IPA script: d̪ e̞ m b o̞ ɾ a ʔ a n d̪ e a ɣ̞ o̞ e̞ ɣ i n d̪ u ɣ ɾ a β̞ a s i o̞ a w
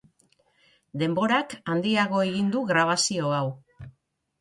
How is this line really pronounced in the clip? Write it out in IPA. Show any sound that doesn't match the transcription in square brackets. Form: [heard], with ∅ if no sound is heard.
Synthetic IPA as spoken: d̪ e̞ m b o̞ ɾ a [k] a n d̪ [i] a ɣ̞ o̞ e̞ ɣ i n d̪ u ɣ ɾ a β̞ a s i o̞ a w